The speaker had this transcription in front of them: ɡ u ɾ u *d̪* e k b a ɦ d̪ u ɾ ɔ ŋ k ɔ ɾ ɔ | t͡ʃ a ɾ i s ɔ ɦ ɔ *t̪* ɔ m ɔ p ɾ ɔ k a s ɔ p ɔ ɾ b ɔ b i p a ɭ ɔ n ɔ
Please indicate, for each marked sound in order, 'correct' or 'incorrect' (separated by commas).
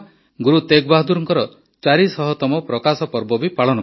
incorrect, correct